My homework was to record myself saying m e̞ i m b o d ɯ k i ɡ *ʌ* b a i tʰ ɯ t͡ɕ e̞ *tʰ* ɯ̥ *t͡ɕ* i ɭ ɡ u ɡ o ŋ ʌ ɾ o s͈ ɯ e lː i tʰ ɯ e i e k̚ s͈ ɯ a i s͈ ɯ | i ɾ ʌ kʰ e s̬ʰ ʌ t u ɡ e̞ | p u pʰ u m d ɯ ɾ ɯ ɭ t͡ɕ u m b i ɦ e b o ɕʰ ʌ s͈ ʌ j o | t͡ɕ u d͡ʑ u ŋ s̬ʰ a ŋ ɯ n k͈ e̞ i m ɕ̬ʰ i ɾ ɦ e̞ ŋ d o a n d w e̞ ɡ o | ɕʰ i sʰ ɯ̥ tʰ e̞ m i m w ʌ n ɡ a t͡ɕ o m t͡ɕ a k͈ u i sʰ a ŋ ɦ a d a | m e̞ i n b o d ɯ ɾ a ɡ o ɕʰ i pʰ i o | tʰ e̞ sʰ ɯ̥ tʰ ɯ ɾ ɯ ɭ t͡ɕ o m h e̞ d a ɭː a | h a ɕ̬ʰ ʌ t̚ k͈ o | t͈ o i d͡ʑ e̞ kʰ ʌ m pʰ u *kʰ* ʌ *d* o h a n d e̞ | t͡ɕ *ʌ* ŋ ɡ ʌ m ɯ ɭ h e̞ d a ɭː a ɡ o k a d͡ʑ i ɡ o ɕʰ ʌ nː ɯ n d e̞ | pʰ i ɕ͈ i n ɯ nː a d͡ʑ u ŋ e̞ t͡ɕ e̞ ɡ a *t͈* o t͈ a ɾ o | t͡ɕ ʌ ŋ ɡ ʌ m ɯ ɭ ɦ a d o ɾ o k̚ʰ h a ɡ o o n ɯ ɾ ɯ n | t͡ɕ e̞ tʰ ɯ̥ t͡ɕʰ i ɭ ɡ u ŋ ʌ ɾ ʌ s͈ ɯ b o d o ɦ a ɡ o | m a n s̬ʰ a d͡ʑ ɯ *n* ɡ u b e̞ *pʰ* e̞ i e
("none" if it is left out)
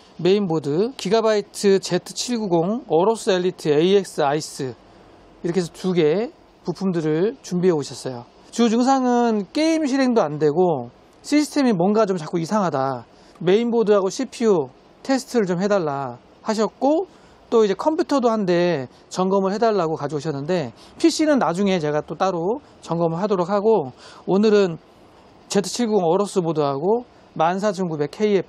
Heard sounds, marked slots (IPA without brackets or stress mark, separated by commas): a, tʰ, t͡ɕʰ, tʰ, d, ʌ, t͈, ŋ, kʰ